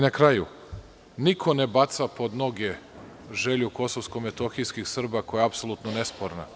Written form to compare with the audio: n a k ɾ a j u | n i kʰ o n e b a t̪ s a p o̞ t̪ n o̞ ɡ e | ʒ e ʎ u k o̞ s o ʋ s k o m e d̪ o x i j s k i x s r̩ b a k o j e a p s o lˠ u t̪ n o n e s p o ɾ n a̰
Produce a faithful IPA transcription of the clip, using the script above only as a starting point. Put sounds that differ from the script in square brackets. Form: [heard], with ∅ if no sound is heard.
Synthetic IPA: n a k ɾ a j u | n i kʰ o n e b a t̪ s a p o̞ [d̪] n o̞ ɡ e | ʒ e ʎ u k o̞ s o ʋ s k o m e [t̪] o x i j s k i x s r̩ b a k o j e a p s o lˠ u t̪ n o n e s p o ɾ n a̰